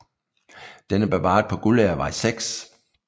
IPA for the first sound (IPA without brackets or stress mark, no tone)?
d̥